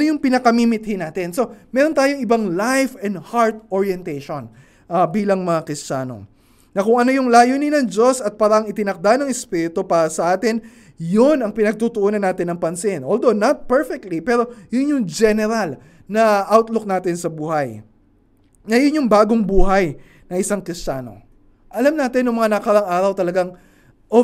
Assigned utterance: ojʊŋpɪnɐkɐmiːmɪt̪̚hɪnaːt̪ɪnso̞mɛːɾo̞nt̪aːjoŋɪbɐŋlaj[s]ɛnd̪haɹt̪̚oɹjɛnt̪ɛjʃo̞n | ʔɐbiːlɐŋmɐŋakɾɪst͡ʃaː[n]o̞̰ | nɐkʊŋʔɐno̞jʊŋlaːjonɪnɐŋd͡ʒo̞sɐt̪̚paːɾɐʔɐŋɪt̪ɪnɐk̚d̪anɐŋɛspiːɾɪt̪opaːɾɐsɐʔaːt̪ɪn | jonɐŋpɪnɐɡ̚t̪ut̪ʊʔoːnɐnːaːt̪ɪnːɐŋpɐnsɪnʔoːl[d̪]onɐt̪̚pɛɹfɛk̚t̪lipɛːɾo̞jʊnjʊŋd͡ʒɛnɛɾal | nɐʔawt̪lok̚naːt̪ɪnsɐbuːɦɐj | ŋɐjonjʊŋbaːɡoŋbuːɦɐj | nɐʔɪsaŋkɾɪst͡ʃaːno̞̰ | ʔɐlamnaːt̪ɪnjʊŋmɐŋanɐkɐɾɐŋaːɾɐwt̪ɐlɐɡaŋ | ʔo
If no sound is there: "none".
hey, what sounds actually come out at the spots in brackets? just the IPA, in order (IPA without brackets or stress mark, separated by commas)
f, n, d̪